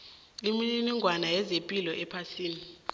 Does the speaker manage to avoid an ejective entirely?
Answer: no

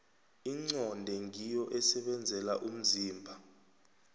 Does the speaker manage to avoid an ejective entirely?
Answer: yes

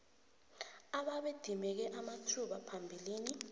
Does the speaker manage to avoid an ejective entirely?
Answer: yes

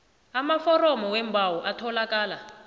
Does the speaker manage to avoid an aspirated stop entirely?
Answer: no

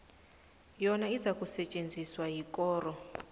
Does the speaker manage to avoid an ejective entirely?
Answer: no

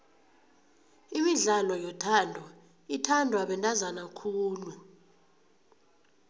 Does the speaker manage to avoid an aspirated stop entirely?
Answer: no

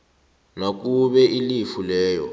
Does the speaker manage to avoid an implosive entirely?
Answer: no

